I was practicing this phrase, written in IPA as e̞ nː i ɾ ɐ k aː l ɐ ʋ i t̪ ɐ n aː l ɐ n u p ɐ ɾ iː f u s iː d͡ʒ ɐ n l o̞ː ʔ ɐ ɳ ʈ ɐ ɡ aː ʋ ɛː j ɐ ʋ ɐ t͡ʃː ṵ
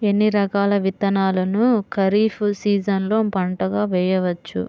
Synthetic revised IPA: e̞ nː i ɾ ɐ k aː l ɐ ʋ i t̪ ɐ n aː l ɐ n u k ɐ ɾ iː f u s iː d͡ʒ ɐ n l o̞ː p ɐ ɳ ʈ ɐ ɡ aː ʋ ɛː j ɐ ʋ ɐ t͡ʃː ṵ

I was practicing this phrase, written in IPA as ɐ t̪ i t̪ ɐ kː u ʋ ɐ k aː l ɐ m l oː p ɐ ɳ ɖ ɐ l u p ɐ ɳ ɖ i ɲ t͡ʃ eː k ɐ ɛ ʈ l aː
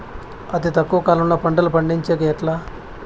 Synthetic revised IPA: ɐ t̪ i t̪ ɐ kː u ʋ ɐ k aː l ɐ m l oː p ɐ ɳ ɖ ɐ l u p ɐ ɳ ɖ i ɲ t͡ʃ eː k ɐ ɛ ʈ l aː

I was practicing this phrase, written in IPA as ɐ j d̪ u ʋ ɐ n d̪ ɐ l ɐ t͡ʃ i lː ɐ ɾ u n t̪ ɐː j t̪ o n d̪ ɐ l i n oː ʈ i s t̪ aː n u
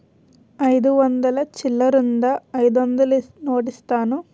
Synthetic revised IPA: ɐ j d̪ u ʋ ɐ n d̪ ɐ l ɐ t͡ʃ i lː ɐ ɾ u n d̪ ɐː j d̪ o n d̪ ɐ l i n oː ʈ i s t̪ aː n u

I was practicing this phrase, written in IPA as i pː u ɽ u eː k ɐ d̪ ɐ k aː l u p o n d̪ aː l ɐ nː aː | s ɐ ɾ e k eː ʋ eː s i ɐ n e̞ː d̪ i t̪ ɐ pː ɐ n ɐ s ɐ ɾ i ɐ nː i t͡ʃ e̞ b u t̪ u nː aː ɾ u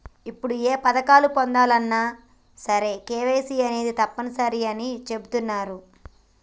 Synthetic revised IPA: i pː u ɽ u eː p ɐ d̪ ɐ k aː l u p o n d̪ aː l ɐ nː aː | s ɐ ɾ e k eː ʋ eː s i ɐ n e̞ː d̪ i t̪ ɐ pː ɐ n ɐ s ɐ ɾ i ɐ n i t͡ʃ e̞ b u t̪ u nː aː ɾ u

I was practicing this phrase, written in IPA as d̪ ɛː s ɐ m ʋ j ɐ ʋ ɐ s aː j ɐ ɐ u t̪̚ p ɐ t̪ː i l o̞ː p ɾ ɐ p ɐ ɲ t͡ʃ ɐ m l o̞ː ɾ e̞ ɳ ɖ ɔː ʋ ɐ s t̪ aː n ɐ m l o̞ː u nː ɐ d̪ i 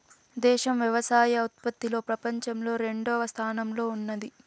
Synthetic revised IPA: d̪ ɛː ʃ ɐ m ʋ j ɐ ʋ ɐ s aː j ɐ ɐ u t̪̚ p ɐ t̪ː i l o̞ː p ɾ ɐ p ɐ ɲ t͡ʃ ɐ m l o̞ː ɾ e̞ ɳ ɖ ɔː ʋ ɐ s t̪ʰ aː n ɐ m l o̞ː u nː ɐ d̪ i

